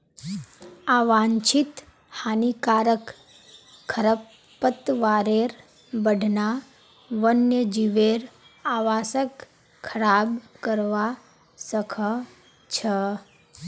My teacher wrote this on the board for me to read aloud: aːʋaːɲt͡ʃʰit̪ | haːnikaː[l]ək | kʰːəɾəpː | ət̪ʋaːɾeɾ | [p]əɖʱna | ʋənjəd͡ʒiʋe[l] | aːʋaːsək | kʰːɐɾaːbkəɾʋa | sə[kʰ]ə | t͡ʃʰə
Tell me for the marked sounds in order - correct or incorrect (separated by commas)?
incorrect, incorrect, incorrect, correct